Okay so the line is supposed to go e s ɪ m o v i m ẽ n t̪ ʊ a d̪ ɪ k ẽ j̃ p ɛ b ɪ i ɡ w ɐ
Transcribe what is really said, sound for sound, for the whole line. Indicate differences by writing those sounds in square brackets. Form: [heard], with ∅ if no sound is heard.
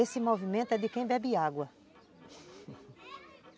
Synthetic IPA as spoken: e s ɪ m o v i m ẽ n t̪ ʊ [ɛ] d̪ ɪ k ẽ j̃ [b] ɛ b ɪ [a] ɡ w ɐ

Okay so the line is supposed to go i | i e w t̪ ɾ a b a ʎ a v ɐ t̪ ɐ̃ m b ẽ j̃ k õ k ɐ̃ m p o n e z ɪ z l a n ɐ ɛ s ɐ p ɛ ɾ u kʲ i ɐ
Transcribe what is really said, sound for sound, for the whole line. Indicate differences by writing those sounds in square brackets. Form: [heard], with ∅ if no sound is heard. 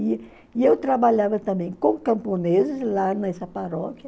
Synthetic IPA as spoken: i | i e w t̪ ɾ a b a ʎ a v ɐ t̪ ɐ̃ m b ẽ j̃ k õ k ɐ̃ m p o n e z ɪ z l a n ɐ ɛ s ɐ p [a] ɾ [ɔ] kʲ [j] ɐ

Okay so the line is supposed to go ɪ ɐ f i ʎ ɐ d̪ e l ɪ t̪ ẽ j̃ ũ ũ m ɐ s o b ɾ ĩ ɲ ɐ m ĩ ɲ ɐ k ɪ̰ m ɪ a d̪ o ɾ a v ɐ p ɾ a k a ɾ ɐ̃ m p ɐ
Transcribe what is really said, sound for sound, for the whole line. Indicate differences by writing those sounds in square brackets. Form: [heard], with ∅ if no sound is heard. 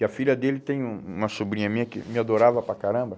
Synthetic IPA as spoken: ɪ ɐ f i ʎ ɐ d̪ e l ɪ t̪ ẽ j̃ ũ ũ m ɐ s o b ɾ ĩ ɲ ɐ m ĩ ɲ ɐ k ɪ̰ m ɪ a d̪ o ɾ a v ɐ p ɾ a k a ɾ ɐ̃ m [b] ɐ

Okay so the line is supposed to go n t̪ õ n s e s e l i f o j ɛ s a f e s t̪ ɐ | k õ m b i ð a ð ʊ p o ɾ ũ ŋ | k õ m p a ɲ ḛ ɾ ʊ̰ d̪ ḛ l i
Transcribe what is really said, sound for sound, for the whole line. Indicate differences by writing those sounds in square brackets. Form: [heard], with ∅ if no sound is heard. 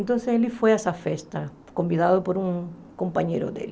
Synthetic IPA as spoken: n t̪ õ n s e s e l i f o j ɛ s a f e s t̪ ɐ | k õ m b i ð a ð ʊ p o ɾ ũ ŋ | k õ m p a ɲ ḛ ɾ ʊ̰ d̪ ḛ l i

